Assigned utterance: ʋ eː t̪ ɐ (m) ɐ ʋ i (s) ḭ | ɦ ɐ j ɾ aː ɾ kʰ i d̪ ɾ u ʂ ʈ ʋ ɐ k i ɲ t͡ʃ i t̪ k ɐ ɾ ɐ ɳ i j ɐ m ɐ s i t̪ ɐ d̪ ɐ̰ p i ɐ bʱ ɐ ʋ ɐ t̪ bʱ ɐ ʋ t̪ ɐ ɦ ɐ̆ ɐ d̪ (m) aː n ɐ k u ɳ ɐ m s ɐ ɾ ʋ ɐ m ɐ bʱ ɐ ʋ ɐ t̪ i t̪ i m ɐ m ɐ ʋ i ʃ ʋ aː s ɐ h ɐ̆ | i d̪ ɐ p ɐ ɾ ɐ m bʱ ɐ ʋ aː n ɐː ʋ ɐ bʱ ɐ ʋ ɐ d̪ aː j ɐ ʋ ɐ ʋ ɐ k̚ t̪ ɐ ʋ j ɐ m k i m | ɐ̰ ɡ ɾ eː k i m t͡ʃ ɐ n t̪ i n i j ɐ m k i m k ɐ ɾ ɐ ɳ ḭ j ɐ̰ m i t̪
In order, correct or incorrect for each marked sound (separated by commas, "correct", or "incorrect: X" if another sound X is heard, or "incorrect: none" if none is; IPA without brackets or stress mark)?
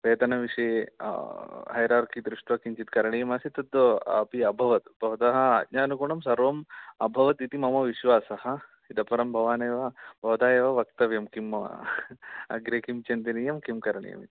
incorrect: n, incorrect: ʂ, incorrect: ɲ